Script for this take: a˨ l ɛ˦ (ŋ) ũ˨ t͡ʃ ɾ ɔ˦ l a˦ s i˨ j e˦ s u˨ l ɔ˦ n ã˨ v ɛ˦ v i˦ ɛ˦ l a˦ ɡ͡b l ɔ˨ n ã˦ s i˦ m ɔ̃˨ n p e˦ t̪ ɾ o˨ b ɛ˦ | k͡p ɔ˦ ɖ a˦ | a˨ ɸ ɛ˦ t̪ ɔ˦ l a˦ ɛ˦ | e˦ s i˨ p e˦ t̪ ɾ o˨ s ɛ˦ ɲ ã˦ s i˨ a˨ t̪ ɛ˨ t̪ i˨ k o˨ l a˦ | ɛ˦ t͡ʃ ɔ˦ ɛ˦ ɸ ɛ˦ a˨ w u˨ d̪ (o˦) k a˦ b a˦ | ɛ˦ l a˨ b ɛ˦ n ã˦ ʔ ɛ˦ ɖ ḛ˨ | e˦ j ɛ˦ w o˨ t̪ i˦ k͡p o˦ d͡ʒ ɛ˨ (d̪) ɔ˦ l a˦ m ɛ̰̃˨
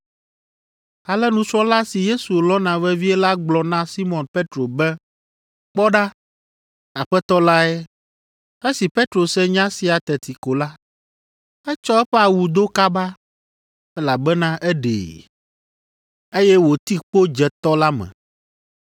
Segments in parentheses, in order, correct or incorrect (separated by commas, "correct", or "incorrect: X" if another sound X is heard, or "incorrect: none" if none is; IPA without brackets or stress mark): incorrect: n, correct, incorrect: t̪